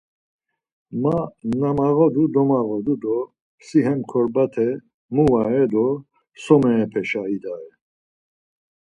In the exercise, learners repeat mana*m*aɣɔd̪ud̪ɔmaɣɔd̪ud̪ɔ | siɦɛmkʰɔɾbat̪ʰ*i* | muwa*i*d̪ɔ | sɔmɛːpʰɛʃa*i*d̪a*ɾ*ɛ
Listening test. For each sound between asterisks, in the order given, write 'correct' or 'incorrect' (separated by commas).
correct, incorrect, incorrect, correct, incorrect